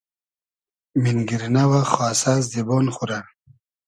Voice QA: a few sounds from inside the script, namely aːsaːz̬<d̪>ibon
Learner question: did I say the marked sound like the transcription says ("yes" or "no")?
yes